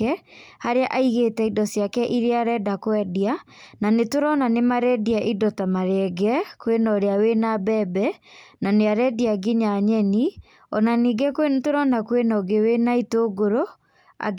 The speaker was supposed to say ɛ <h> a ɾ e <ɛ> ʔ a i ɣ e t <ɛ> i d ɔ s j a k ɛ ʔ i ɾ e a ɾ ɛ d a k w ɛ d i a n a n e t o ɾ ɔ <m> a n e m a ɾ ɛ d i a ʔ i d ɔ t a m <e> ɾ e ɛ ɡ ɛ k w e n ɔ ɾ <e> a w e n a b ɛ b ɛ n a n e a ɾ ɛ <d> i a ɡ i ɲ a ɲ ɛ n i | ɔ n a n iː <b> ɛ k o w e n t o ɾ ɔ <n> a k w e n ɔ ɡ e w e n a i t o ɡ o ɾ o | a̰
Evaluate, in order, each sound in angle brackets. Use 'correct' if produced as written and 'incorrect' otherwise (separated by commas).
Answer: correct, incorrect, correct, incorrect, incorrect, correct, correct, incorrect, correct